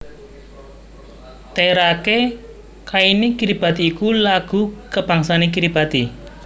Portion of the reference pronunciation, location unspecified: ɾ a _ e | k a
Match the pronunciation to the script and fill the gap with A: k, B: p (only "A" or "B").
A